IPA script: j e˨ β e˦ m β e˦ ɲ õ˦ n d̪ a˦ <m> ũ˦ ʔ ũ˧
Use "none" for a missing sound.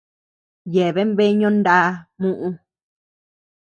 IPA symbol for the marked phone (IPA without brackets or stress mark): m